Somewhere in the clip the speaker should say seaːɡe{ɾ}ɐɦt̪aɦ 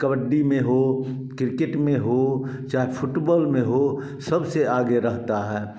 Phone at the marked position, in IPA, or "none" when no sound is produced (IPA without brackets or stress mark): ɾ